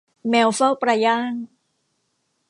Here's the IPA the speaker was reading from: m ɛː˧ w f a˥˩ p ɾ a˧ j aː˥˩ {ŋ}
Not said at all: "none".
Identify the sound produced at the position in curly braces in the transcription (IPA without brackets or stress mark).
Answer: ŋ